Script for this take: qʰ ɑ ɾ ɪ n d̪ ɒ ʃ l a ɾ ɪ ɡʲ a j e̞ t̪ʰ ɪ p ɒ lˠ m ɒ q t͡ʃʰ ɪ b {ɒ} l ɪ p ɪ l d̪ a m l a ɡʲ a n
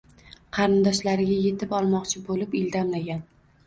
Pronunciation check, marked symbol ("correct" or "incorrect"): incorrect